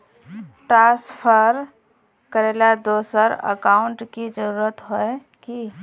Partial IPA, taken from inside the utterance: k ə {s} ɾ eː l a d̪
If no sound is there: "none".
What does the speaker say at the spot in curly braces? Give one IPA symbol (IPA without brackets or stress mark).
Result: none